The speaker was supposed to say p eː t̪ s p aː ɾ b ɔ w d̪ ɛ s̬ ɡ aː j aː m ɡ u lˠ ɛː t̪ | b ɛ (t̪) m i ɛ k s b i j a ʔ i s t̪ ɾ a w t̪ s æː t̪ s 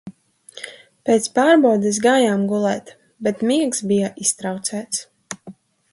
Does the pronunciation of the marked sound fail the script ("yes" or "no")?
no